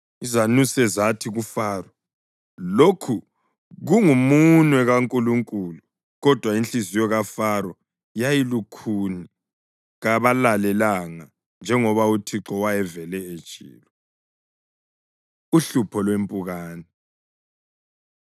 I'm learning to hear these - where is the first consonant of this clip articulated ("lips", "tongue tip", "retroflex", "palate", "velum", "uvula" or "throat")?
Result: tongue tip